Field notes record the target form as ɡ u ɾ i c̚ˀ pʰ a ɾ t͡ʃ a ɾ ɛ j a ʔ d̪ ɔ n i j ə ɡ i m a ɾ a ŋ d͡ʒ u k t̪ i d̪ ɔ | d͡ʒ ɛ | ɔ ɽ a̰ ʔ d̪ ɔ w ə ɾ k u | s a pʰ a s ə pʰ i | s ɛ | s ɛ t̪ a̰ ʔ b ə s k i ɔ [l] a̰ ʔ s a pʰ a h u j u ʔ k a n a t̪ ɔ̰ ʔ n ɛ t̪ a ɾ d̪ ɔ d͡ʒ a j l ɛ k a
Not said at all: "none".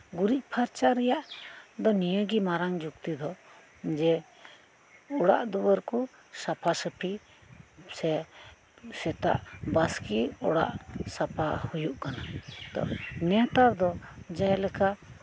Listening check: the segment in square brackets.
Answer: ɽ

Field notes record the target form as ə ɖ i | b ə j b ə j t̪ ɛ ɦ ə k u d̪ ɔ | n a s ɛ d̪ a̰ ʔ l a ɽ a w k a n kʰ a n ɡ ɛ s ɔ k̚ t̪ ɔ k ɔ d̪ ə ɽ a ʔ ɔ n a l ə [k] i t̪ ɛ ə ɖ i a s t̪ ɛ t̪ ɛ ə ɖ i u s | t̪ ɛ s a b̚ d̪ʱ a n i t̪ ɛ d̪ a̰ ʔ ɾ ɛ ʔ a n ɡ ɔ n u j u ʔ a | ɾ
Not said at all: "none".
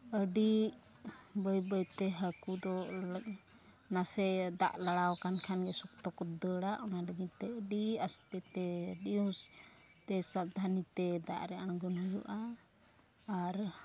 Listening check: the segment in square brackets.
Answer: ɡ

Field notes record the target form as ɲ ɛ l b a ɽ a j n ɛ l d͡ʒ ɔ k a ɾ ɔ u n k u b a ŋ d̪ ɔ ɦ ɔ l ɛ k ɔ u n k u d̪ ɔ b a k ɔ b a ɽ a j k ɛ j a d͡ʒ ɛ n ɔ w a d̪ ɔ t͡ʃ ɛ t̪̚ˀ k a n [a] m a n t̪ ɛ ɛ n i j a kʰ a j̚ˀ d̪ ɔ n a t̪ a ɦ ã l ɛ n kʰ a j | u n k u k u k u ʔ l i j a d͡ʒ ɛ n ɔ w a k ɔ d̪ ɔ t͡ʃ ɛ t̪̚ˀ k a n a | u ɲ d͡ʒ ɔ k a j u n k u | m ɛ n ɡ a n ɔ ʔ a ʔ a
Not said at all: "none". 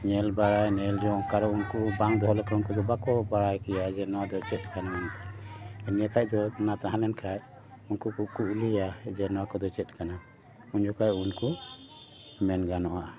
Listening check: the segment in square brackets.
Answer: a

